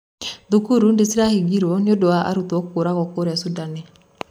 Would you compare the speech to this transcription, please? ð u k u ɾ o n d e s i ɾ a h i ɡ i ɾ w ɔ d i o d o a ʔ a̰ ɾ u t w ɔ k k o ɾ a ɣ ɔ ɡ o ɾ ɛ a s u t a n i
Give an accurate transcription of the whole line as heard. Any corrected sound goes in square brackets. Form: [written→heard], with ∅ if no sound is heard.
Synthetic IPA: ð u k u ɾ [o→u] n d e s i ɾ a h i ɡ i ɾ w ɔ [d→n] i o d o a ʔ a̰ ɾ u t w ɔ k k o ɾ a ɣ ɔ [ɡ→k] o ɾ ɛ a s u [t→d] a n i